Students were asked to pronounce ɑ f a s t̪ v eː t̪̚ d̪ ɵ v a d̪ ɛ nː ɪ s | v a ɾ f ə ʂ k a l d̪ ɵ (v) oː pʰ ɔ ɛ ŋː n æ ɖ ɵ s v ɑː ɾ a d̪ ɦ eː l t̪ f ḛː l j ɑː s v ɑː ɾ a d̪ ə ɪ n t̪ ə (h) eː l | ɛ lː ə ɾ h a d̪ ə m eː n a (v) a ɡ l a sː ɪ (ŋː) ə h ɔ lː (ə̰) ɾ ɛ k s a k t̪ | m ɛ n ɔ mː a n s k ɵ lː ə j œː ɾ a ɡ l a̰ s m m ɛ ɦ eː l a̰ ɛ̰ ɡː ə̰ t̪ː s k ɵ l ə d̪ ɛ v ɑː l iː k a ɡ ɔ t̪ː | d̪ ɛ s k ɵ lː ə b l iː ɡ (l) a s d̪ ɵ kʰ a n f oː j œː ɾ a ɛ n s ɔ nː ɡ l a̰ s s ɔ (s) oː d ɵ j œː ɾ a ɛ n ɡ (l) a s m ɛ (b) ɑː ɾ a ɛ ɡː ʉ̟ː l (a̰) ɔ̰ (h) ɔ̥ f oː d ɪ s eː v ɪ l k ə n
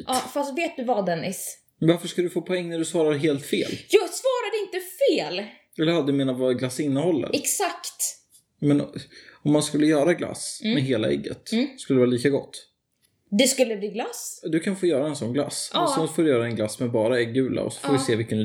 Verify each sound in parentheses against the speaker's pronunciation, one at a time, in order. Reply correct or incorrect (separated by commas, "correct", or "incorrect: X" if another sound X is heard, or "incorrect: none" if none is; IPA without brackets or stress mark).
incorrect: f, incorrect: f, correct, incorrect: nː, correct, correct, incorrect: f, correct, correct, correct, incorrect: s